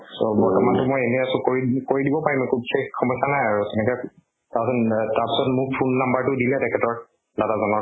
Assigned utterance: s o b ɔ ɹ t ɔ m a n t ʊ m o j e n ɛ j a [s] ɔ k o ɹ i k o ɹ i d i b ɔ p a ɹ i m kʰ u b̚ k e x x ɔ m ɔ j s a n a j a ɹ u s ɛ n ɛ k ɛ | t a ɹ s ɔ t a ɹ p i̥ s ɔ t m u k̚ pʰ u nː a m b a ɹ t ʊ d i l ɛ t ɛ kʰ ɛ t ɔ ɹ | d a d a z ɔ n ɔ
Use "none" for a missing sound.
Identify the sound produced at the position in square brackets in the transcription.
s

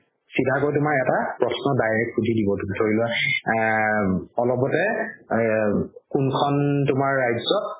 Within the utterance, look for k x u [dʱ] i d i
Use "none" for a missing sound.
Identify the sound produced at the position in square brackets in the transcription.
dʱ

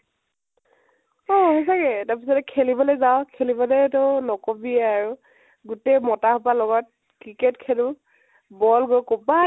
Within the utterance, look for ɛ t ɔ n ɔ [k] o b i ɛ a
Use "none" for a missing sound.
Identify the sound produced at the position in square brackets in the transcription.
k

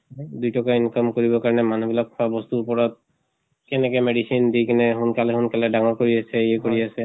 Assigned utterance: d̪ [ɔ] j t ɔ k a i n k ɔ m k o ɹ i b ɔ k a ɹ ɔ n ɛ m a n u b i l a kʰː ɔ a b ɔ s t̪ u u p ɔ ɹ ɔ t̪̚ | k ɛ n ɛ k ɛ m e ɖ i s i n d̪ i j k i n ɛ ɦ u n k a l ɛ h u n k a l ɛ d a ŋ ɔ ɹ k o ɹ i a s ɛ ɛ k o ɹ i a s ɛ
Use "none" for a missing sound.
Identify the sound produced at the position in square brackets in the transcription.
u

